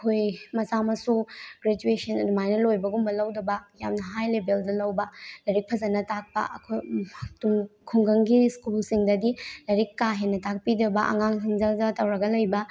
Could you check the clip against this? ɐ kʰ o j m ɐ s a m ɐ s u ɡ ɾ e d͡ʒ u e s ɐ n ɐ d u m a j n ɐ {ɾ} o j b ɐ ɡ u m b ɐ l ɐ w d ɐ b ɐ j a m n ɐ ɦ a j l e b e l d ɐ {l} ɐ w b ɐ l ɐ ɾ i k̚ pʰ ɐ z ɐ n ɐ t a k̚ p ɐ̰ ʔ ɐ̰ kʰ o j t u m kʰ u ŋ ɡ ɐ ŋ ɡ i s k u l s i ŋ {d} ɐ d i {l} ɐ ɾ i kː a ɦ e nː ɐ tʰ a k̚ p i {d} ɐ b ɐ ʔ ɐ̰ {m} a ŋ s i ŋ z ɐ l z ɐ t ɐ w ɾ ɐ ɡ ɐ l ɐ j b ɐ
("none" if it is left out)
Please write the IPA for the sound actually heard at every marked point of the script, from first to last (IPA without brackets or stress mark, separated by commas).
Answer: l, l, d, l, d, ŋ